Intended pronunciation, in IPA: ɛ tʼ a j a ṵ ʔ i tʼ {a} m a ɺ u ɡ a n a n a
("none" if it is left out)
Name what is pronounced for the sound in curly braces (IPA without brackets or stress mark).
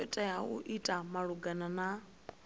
a